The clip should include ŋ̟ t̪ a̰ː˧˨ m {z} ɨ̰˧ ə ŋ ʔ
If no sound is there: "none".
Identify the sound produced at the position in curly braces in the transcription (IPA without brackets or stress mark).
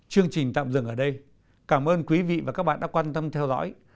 z